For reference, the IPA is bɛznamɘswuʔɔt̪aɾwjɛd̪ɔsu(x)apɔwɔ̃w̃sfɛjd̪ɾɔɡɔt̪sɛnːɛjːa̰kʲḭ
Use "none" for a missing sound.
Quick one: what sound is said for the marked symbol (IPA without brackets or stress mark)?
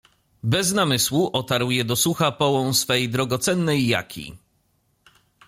x